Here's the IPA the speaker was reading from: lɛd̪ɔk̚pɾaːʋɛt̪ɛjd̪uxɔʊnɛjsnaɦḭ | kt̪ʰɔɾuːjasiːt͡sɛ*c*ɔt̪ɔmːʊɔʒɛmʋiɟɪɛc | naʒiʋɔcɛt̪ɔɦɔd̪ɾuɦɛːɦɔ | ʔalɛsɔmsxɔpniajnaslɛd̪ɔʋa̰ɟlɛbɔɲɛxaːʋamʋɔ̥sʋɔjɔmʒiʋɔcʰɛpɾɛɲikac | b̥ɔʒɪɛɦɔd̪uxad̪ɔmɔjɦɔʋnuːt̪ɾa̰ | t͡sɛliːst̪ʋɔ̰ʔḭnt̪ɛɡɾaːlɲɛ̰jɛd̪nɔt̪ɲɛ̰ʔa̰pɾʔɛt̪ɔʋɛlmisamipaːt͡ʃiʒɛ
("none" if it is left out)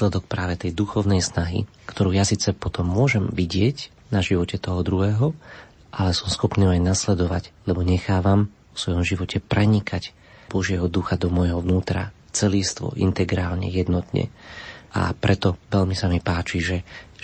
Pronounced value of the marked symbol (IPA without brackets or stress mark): p